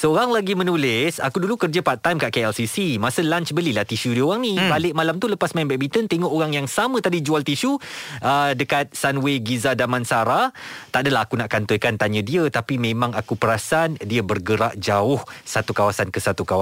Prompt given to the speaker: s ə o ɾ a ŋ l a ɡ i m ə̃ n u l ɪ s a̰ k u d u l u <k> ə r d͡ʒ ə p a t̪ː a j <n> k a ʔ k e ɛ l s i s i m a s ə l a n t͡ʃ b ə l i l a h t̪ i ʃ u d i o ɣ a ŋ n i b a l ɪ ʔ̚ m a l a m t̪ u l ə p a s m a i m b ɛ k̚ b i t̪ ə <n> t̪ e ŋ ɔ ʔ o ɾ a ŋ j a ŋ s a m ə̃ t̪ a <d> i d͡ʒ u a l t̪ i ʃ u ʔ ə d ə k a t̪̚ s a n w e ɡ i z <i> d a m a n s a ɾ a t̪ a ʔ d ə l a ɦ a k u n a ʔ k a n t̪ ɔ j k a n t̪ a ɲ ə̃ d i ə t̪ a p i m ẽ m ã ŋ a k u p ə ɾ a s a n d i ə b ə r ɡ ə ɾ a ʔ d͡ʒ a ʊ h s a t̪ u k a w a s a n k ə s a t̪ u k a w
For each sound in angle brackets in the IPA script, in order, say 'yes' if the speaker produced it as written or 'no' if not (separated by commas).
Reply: yes, no, yes, yes, no